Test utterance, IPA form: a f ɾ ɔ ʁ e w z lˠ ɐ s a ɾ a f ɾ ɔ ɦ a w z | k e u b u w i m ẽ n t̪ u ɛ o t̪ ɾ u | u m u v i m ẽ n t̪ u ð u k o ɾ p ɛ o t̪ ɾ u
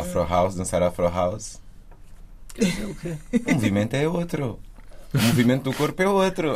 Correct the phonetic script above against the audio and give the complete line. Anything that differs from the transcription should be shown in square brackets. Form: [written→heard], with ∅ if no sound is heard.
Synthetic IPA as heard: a f ɾ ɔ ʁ [e→a] w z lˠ [ɐ→ɐ̃] s a ɾ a f ɾ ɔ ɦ a w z | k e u [b→m] u [w→v] i m ẽ n t̪ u ɛ o t̪ ɾ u | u m u v i m ẽ n t̪ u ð u k o ɾ p ɛ o t̪ ɾ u